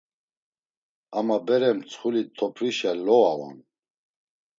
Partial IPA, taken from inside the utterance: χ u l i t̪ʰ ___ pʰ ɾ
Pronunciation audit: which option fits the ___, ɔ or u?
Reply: ɔ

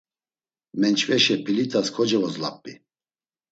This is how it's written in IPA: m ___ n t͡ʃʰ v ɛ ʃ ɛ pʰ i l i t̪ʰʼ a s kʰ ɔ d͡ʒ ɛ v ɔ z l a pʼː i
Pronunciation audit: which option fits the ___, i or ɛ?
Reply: ɛ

